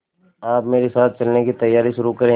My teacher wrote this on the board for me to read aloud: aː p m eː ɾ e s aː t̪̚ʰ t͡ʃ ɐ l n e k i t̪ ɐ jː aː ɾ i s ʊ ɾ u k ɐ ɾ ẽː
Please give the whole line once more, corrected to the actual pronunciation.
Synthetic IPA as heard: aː p m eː ɾ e s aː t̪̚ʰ t͡ʃ ɐ l n e k i t̪ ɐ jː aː ɾ i ʃ ʊ ɾ u k ɐ ɾ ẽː